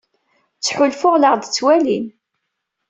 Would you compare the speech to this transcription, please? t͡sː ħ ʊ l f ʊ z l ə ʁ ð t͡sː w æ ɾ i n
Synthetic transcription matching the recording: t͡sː ħ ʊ l f ʊ ʁ l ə ʁ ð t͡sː w æ l i n